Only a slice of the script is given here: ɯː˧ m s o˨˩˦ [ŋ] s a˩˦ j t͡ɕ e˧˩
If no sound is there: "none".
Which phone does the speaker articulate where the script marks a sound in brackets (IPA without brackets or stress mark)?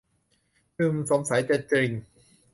m